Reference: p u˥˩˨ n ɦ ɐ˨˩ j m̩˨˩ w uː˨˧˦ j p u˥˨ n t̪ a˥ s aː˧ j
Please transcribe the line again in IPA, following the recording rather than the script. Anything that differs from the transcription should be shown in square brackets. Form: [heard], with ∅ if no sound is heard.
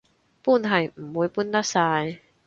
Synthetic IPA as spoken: p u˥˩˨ n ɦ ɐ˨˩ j m̩˨˩ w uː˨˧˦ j p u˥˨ n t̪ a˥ s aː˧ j